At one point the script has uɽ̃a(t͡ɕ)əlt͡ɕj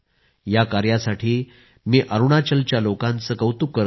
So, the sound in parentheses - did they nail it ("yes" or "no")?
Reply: yes